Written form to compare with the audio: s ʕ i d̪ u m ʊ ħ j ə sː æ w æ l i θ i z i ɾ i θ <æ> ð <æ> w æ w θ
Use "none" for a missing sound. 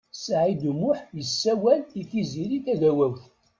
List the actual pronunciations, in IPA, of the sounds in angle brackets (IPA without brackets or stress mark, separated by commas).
æ, æ